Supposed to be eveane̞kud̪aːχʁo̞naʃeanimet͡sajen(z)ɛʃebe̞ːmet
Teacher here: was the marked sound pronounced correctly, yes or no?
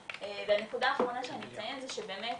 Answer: yes